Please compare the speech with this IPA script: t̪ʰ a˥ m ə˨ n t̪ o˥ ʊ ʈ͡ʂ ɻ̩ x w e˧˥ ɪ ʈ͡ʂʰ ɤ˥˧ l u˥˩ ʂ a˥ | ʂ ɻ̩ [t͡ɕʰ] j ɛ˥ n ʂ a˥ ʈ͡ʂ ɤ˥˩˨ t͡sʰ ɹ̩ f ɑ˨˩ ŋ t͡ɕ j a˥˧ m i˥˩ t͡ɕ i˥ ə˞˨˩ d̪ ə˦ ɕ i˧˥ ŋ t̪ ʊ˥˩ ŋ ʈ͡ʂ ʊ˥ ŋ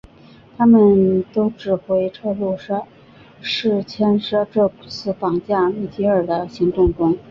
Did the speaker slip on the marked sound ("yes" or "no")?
no